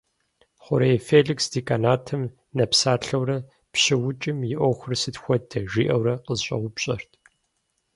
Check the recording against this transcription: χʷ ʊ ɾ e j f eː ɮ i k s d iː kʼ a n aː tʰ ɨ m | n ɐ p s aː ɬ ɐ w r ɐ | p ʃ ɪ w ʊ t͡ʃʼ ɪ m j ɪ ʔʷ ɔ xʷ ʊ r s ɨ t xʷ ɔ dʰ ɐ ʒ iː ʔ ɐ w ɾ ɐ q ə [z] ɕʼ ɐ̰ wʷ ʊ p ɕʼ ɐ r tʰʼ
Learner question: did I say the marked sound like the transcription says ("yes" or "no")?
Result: yes